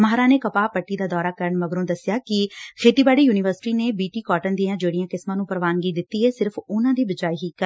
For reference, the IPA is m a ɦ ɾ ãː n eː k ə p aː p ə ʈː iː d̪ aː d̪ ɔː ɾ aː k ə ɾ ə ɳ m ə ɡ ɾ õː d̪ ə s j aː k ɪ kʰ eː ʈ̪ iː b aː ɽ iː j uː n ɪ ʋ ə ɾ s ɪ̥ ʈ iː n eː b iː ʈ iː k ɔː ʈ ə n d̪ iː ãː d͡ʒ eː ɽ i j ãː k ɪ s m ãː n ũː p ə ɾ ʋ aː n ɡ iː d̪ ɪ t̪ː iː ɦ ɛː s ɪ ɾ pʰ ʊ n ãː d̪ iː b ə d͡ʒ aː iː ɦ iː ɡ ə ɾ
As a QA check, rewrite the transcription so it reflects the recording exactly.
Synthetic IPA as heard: m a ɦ ɾ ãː n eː k ə p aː p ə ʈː iː d̪ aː d̪ ɔː ɾ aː k ə ɾ ə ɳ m ə ɡ ɾ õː d̪ ə s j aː k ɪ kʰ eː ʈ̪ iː b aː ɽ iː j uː n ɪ ʋ ə ɾ s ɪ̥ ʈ iː n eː b iː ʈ iː k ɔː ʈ ə n d̪ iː ãː d͡ʒ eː ɽ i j ãː k ɪ s m ãː n ũː p ə ɾ ʋ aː n ɡ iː d̪ ɪ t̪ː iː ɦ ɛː s ɪ ɾ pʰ ʊ n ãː d̪ iː b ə d͡ʒ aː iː ɦ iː k ə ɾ